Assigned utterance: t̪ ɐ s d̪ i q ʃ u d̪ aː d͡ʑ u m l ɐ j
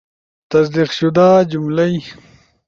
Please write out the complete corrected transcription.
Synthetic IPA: t̪ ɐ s d̪ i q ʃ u d̪ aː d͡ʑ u m l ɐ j